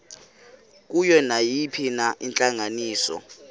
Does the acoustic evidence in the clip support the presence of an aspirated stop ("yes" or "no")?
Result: yes